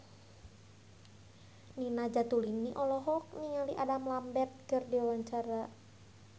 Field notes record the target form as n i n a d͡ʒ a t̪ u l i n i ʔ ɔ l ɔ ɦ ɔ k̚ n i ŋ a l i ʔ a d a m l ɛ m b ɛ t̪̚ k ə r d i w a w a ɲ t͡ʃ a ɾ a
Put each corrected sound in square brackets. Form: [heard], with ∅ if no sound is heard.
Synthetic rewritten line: n i n a d͡ʒ a t̪ u l i n i ʔ ɔ l ɔ ɦ ɔ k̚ n i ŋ a l i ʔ a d a m l [a] m b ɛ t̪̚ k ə r d i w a w a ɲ t͡ʃ a ɾ a